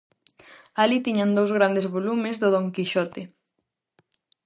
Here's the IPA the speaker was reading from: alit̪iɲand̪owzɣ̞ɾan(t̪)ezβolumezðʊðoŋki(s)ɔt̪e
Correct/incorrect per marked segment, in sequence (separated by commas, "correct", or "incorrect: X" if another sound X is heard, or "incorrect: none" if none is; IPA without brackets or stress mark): incorrect: d̪, incorrect: ʃ